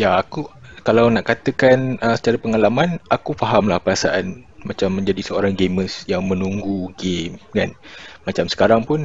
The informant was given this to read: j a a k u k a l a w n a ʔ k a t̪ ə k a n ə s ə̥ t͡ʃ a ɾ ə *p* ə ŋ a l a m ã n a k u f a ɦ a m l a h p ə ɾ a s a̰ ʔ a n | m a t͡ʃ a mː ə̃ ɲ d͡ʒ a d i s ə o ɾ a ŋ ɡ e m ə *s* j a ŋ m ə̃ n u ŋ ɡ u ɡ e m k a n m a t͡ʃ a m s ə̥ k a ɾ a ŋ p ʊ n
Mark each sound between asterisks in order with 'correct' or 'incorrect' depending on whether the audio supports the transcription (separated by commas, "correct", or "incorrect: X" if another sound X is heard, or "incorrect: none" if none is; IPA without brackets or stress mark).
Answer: correct, correct